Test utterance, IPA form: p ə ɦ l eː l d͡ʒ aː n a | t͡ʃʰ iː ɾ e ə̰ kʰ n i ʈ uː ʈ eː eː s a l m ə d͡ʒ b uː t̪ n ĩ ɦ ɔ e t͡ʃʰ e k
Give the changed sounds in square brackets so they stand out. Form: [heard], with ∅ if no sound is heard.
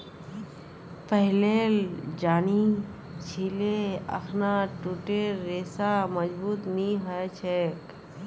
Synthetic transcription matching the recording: p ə ɦ l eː l d͡ʒ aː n [i] | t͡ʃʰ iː [l] e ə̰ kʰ n [a] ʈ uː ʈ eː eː s a [∅] m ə d͡ʒ b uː t̪ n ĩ ɦ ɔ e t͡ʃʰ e k